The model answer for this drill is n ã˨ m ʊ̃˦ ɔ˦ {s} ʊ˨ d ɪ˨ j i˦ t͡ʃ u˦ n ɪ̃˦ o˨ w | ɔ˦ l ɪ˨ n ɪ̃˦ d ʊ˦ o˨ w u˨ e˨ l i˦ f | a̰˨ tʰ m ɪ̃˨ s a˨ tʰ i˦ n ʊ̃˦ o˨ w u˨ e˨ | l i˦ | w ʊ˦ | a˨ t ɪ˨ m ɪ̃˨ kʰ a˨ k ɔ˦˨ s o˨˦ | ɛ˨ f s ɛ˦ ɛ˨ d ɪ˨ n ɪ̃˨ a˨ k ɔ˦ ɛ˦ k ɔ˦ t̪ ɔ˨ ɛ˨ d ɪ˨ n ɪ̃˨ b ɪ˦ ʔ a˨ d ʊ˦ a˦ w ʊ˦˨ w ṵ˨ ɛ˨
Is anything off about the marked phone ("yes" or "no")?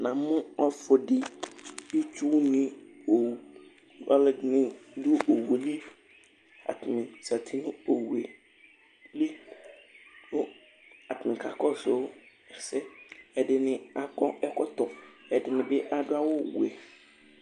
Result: yes